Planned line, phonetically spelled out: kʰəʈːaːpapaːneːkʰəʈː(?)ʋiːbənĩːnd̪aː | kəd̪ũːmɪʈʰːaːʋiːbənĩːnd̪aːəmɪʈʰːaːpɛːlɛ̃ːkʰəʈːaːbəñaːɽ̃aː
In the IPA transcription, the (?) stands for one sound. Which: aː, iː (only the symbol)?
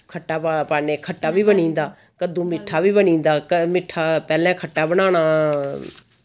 aː